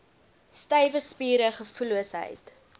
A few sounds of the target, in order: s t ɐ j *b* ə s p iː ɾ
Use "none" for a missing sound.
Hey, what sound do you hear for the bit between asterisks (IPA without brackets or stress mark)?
v